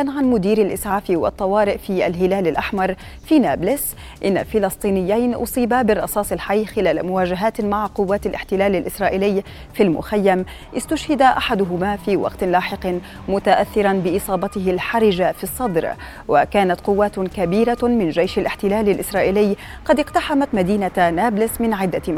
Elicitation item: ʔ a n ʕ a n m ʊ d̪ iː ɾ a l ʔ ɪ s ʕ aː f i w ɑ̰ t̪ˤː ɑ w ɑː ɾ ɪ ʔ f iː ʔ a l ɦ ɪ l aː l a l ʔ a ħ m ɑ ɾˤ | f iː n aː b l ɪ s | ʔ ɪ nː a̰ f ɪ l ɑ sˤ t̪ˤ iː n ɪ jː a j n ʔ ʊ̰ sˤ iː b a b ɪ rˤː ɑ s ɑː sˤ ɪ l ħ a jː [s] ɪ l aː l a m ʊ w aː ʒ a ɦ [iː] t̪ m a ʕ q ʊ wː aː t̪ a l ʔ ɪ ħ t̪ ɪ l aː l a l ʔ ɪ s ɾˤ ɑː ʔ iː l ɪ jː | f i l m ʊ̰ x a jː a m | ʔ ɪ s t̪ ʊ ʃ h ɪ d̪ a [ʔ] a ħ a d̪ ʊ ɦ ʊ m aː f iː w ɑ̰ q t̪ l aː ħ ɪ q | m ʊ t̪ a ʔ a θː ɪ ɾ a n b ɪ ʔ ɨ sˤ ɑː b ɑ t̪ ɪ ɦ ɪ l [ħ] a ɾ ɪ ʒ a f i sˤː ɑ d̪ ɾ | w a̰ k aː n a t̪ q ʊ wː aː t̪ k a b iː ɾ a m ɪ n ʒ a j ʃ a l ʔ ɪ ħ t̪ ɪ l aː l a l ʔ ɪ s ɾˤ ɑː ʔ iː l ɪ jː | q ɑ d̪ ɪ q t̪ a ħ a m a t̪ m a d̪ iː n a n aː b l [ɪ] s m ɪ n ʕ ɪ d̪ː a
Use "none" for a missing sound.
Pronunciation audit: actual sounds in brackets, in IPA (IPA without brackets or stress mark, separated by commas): x, aː, ʔ, ħ, ɪ